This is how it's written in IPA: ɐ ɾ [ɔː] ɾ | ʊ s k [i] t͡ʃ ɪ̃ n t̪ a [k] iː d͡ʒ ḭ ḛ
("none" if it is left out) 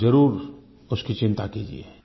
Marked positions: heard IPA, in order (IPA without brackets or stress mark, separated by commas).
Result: uː, i, k